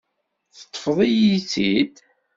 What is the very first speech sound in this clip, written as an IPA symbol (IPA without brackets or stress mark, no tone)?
θ